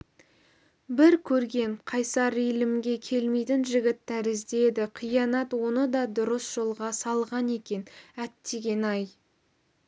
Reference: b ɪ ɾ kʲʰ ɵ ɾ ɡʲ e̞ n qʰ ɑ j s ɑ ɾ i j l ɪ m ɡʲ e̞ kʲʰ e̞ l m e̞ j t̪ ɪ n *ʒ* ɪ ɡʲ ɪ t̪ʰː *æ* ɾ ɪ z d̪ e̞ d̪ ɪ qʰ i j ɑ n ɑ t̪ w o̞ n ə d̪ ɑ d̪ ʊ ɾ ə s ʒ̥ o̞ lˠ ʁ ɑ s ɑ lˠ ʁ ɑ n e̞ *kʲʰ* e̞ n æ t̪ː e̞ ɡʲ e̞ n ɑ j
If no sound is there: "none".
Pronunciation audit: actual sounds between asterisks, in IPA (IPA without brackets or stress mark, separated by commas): ʒ, æ, kʲ